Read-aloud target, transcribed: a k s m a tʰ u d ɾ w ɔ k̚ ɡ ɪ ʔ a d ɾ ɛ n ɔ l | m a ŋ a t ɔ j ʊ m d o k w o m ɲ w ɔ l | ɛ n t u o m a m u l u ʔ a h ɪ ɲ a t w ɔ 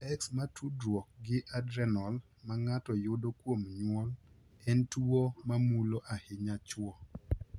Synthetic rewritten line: ɛ k s m a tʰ u d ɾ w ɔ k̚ ɡ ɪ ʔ a d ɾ ɛ n ɔ l | m a ŋ a t ɔ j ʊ d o k w o m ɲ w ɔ l | ɛ n t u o m a m u l o ʔ a h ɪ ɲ a t͡ʃ w ɔ